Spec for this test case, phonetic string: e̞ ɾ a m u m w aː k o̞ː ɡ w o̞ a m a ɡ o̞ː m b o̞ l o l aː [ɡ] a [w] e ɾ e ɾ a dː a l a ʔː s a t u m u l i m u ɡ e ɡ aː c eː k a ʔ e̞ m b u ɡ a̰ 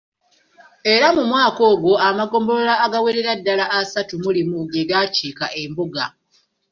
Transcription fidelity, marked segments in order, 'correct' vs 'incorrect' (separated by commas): correct, correct